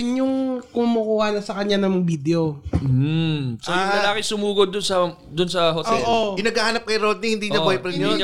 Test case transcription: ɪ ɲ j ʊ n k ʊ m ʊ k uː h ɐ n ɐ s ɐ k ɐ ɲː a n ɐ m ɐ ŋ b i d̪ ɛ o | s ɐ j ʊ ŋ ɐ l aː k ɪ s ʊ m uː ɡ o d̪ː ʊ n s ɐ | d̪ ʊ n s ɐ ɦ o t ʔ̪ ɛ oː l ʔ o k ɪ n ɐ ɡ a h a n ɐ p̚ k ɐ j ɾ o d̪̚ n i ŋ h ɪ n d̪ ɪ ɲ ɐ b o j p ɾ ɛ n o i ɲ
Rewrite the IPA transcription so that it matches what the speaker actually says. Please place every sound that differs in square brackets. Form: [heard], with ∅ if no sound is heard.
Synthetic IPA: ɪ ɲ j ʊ [ŋ] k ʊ m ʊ k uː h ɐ n ɐ s ɐ k ɐ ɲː a n ɐ m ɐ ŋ b i d̪ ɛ o | s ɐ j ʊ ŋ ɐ l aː k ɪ s ʊ m uː ɡ o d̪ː ʊ n s ɐ | d̪ ʊ n s ɐ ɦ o t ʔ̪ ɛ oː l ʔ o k ɪ n ɐ ɡ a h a n ɐ p̚ k ɐ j ɾ o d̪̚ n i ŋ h ɪ n d̪ [i] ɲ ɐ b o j p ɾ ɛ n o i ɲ